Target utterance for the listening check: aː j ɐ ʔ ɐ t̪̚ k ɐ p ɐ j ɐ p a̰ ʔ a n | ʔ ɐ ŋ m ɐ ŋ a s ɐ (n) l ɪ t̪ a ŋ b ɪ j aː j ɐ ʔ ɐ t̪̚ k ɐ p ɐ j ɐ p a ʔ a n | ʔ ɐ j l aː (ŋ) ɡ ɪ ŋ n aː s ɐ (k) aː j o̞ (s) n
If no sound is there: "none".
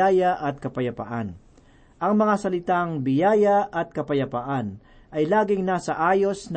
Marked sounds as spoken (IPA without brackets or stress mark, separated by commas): none, none, ʔ, s